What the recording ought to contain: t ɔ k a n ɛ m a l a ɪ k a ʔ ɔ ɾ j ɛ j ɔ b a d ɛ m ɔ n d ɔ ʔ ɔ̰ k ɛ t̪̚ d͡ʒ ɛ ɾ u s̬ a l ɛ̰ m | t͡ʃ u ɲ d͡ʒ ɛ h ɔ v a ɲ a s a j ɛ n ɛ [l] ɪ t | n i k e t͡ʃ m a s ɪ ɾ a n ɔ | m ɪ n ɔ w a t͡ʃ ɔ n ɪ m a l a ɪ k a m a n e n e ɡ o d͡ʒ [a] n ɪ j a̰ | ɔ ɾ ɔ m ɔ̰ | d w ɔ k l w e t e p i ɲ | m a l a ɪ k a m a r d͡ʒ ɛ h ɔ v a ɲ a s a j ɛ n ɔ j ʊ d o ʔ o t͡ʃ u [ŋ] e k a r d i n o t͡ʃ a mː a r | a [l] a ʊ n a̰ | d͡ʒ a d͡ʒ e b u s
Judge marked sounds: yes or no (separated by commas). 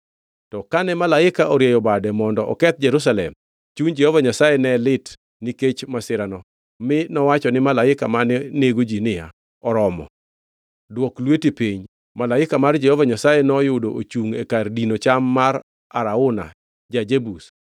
yes, no, yes, no